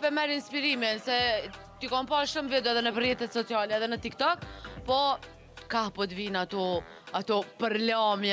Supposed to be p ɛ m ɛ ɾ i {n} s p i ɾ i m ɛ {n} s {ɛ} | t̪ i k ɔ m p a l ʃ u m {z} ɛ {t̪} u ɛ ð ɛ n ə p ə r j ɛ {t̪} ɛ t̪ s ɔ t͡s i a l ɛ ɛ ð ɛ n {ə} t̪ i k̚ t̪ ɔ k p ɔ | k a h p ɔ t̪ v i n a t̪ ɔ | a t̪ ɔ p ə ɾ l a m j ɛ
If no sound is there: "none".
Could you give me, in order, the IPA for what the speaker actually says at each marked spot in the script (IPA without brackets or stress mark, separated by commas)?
n, n, ɛ, v, d̪, t̪, ə